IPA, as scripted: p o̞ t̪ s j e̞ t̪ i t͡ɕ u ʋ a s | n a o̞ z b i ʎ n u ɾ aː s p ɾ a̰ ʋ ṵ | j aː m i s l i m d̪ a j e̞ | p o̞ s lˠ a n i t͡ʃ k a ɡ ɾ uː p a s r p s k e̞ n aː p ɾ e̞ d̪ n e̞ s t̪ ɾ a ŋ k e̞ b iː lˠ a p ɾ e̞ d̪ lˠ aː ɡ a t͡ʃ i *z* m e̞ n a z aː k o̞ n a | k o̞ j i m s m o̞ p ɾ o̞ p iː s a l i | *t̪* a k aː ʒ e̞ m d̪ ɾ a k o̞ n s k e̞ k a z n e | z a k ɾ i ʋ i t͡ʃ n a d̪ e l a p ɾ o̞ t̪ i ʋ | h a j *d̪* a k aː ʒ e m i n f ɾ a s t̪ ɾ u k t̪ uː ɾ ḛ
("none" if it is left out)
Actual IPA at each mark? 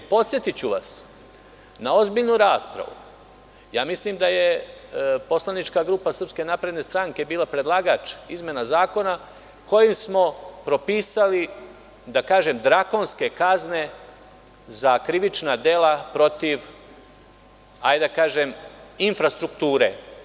z, d̪, d̪

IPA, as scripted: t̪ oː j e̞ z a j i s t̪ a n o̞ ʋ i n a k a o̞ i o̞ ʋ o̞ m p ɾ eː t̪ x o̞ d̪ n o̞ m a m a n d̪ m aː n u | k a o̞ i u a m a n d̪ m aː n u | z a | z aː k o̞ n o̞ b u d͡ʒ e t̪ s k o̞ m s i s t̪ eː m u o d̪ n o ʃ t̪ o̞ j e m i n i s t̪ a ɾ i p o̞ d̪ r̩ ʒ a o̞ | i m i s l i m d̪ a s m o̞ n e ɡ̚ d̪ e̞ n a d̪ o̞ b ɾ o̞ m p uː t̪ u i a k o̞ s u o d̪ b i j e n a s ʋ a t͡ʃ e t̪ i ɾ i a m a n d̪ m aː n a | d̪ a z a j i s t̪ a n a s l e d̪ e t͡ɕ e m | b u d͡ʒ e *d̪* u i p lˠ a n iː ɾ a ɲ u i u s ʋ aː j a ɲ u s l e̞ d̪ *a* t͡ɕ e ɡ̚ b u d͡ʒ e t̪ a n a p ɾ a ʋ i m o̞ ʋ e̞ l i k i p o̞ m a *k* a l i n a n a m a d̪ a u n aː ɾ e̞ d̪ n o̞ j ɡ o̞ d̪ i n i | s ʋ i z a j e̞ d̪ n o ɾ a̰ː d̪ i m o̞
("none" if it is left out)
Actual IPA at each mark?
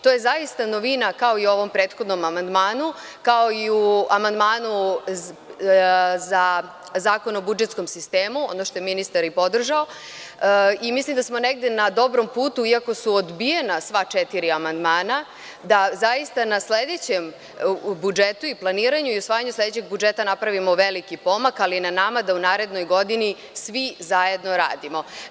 t̪, e, k

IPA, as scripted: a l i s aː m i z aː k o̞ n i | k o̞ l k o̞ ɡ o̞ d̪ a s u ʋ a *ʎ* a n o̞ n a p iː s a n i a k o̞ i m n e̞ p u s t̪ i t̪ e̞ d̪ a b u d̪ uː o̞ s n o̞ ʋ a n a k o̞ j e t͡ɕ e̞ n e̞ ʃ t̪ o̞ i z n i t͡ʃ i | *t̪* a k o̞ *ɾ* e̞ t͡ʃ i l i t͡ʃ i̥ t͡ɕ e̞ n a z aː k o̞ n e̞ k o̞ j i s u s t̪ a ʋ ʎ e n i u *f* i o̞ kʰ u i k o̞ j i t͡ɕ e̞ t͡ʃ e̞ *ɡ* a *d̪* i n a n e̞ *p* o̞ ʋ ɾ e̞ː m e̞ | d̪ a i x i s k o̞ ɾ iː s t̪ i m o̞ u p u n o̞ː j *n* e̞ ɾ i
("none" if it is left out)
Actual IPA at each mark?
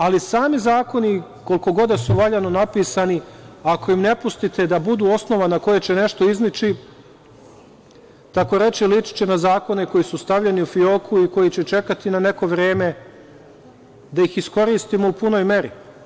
ʎ, t̪, ɾ, f, k, t̪, k, m

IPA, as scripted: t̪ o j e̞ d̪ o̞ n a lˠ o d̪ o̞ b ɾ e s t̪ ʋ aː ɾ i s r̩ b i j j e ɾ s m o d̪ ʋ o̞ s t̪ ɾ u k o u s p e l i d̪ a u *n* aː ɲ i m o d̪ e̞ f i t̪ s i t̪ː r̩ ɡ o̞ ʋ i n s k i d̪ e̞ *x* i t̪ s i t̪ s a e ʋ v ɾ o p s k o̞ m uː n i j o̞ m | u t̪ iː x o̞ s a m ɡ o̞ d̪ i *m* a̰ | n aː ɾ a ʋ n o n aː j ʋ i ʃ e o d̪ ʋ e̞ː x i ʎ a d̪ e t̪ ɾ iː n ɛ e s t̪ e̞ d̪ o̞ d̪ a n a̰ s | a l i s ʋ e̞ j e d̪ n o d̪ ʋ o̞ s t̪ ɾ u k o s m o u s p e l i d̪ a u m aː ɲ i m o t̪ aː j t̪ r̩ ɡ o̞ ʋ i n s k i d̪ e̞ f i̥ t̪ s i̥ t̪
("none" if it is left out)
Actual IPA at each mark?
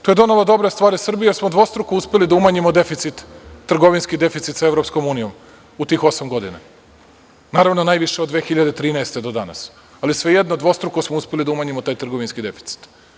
m, f, n

